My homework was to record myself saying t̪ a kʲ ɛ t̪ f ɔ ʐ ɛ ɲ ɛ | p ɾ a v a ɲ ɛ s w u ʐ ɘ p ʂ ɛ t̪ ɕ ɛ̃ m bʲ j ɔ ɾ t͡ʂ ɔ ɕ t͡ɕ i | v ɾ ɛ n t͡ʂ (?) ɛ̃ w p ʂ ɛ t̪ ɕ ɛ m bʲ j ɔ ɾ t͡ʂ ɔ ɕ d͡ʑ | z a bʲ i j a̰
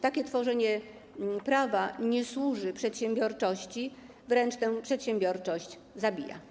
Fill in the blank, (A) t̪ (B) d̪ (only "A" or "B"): A